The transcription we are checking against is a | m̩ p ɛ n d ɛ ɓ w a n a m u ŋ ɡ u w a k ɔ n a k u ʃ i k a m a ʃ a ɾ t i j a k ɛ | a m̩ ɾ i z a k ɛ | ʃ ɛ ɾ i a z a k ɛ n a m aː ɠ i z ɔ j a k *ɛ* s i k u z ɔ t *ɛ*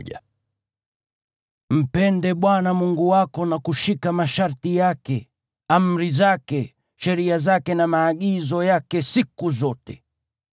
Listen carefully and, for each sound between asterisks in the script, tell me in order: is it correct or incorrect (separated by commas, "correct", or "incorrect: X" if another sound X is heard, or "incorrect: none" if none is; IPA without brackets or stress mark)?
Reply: correct, correct